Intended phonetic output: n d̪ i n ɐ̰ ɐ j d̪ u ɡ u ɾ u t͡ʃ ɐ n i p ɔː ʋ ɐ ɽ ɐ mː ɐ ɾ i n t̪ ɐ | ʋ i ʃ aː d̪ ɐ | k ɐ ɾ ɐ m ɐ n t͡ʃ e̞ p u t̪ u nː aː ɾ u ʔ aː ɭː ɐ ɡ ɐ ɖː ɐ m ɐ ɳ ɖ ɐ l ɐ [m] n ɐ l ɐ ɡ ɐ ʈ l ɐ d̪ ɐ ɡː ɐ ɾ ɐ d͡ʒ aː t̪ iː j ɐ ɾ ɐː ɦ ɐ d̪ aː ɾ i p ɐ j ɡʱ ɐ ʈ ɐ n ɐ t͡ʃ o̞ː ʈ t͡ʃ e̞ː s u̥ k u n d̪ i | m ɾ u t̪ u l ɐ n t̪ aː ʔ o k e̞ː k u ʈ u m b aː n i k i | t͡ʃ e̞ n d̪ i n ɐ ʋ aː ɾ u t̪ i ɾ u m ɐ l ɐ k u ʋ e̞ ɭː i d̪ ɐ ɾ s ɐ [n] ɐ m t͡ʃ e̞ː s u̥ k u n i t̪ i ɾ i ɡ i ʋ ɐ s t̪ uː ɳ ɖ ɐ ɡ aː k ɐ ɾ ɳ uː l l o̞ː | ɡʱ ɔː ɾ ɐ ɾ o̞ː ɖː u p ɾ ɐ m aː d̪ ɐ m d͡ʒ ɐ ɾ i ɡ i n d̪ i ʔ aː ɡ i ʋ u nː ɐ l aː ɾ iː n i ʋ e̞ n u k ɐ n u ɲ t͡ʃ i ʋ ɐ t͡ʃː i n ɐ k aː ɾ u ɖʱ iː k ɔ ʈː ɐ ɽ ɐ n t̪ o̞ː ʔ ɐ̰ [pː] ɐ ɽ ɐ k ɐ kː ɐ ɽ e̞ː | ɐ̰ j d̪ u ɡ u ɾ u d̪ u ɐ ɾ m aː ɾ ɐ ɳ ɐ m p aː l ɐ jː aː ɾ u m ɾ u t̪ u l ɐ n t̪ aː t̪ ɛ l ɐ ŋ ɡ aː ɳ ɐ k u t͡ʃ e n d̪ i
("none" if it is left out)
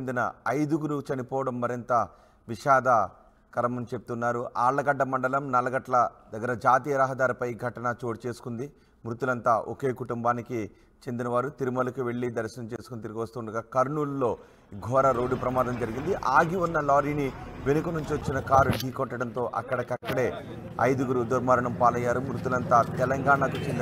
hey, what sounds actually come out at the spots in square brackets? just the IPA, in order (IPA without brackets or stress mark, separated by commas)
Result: m, n, kː